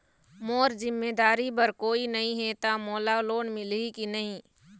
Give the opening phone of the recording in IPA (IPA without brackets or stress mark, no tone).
m